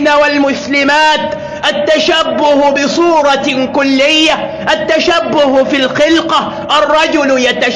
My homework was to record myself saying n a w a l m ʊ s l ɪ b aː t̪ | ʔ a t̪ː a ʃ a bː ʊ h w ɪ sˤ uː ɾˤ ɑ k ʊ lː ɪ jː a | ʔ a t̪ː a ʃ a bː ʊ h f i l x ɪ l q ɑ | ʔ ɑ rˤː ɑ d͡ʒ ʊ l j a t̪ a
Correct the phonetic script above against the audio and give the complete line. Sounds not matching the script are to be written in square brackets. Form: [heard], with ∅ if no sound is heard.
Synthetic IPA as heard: n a w a l m ʊ s l ɪ [m] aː t̪ | ʔ a t̪ː a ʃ a bː ʊ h [b] ɪ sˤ uː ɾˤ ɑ k ʊ lː ɪ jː a | ʔ a t̪ː a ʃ a bː ʊ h f i l x ɪ l q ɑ | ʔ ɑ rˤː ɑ d͡ʒ ʊ l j a t̪ a